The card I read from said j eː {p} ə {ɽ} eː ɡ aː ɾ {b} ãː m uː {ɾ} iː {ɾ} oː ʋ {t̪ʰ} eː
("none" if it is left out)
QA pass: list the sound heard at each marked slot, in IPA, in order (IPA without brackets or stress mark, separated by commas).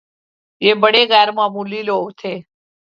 b, ɽ, m, l, l, t̪ʰ